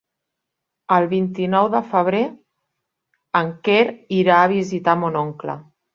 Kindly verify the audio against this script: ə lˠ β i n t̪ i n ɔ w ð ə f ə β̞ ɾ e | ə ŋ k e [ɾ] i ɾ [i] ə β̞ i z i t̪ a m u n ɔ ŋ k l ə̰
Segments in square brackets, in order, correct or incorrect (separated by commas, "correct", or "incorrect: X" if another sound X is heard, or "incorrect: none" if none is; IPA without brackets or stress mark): correct, incorrect: a